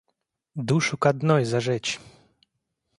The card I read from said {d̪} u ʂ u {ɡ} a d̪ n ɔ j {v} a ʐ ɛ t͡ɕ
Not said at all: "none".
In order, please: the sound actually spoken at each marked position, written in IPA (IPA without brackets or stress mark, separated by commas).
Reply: d̪, k, z